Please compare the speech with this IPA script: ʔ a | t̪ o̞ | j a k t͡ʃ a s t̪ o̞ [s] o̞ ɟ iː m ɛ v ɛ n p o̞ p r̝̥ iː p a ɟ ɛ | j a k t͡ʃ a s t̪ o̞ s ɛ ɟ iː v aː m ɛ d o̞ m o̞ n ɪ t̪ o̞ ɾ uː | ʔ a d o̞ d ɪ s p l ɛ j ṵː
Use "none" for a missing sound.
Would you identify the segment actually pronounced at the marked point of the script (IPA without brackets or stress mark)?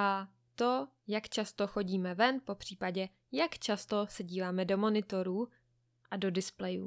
x